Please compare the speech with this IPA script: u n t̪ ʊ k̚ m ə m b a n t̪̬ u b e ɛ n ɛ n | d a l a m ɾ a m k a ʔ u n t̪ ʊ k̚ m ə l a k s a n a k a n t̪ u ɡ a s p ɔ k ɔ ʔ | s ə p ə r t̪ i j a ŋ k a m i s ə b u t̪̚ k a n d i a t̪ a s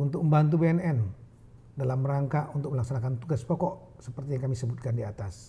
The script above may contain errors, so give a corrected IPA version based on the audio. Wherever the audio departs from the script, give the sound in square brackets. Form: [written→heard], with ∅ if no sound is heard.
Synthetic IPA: u n t̪ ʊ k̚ m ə m b a n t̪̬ u b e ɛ n ɛ n | d a l a m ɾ a [m→ŋ] k a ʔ u n t̪ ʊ k̚ m ə l a k s a n a k a n t̪ u ɡ a s p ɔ k ɔ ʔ | s ə p ə r t̪ i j a ŋ k a m i s ə b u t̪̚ k a n d i a t̪ a s